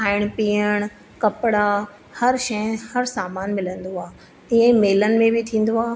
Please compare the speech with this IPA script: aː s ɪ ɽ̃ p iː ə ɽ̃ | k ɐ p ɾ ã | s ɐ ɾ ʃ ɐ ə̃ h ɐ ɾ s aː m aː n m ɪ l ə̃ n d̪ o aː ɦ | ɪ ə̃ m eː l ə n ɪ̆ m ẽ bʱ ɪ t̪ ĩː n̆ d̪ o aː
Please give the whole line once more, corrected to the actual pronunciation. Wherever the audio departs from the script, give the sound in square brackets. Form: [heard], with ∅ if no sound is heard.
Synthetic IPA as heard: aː [∅] ɪ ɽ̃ p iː ə ɽ̃ | k ɐ p [ɽ] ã | [h] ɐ ɾ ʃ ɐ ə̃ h ɐ ɾ s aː m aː n m ɪ l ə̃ n d̪ o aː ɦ | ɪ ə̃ m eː l ə n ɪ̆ m ẽ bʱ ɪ [t̪ʰ] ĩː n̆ d̪ o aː